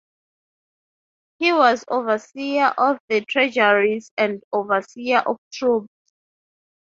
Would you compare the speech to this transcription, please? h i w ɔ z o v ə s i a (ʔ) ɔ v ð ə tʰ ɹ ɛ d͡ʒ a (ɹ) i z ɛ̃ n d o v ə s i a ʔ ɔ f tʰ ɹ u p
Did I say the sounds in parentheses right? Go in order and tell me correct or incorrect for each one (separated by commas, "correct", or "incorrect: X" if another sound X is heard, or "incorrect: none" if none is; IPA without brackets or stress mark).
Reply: correct, correct